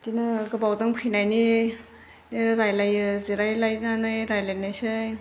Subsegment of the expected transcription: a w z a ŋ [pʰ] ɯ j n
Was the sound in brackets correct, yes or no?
yes